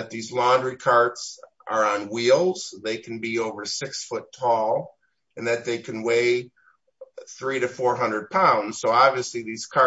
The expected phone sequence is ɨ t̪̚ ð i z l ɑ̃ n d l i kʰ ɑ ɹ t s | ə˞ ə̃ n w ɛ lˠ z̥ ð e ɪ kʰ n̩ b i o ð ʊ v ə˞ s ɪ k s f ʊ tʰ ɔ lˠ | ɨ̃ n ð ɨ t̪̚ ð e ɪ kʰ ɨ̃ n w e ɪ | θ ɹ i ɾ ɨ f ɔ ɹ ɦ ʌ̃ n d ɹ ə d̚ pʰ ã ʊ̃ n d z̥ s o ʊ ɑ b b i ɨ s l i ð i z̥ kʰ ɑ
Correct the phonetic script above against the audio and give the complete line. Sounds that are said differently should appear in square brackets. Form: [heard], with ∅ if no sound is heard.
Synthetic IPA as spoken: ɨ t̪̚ ð i z l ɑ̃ n d [ɹ] i kʰ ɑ ɹ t s | ə˞ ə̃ n w [i] lˠ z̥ ð e ɪ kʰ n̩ b i o [∅] ʊ v ə˞ s ɪ k s f ʊ tʰ ɔ lˠ | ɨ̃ n ð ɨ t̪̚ ð e ɪ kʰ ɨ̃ n w e ɪ | θ ɹ i ɾ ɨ f ɔ ɹ ɦ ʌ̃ n d ɹ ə d̚ pʰ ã ʊ̃ n d z̥ s o ʊ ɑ b [v] i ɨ s l i ð i z̥ kʰ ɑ